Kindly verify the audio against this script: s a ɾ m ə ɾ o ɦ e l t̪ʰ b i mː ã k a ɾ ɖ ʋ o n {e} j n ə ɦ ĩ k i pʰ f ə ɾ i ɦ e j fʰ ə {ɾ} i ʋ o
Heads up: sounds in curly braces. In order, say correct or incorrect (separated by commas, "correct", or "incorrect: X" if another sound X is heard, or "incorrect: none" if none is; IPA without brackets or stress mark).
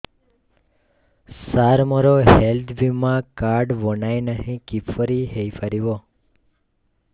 incorrect: a, correct